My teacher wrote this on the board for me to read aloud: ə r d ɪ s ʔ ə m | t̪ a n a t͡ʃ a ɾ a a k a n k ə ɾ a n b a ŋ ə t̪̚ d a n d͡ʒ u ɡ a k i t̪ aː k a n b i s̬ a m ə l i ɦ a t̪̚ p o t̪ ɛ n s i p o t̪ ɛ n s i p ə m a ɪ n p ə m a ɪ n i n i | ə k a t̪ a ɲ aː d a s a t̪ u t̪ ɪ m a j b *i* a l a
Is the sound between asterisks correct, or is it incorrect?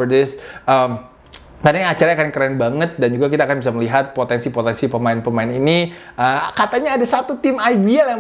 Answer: correct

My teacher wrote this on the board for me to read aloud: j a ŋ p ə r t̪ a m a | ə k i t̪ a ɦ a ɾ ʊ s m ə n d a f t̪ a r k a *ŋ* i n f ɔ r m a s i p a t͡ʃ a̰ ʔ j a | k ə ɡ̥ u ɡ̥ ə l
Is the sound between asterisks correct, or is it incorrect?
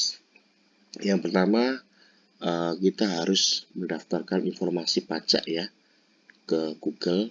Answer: incorrect: n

